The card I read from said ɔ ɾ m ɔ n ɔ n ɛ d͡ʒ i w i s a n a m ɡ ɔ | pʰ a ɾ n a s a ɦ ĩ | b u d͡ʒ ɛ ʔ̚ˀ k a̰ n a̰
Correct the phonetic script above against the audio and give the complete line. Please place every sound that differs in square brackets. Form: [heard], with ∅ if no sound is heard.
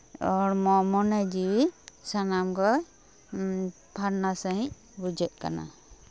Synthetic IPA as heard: ɔ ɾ m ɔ [m] ɔ n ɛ d͡ʒ i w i s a n a m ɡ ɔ | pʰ a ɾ n a s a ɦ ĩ | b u d͡ʒ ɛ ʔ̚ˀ k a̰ n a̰